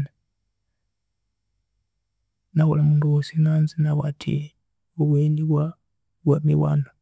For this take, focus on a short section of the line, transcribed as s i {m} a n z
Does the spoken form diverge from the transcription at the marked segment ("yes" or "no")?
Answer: yes